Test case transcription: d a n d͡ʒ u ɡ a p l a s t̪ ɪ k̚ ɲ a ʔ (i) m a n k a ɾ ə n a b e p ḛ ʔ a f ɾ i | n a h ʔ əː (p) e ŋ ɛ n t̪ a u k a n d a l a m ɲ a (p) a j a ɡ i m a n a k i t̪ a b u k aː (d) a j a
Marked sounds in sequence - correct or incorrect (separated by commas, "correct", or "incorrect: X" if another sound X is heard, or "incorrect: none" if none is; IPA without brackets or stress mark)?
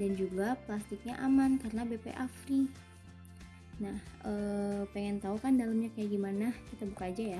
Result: incorrect: a, correct, incorrect: k, incorrect: d͡ʒ